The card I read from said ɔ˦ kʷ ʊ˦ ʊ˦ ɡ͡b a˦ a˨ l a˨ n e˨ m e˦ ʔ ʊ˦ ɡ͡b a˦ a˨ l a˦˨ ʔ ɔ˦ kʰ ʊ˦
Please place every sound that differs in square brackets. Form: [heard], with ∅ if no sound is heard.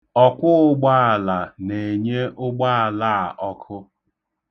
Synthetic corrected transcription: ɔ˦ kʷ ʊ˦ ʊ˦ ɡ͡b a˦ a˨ l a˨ n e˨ [ɲ] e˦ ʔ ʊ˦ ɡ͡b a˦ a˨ l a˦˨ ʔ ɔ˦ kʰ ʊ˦